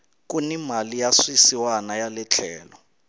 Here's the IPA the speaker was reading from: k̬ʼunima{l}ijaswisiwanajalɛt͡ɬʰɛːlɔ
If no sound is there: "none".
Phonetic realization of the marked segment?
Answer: l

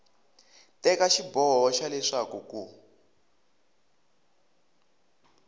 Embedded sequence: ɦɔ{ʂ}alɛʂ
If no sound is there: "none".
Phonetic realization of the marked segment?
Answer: ʃ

